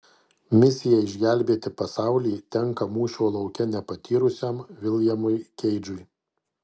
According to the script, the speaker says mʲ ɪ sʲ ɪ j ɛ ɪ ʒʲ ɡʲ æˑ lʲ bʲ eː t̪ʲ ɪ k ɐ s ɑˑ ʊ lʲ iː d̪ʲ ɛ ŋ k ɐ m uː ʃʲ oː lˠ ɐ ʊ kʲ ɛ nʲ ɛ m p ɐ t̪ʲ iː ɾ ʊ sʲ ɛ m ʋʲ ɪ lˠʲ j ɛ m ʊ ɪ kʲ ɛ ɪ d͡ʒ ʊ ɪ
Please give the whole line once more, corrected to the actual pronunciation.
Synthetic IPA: mʲ ɪ sʲ ɪ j ɛ ɪ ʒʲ ɡʲ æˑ lʲ bʲ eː t̪ʲ ɪ p ɐ s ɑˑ ʊ lʲ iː t̪ʲ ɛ ŋ k ɐ m uː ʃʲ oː lˠ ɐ ʊ kʲ ɛ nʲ ɛ p ɐ t̪ʲ iː ɾ ʊ sʲ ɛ m ʋʲ ɪ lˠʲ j ɛ m ʊ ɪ kʲ ɛ ɪ d͡ʒ ʊ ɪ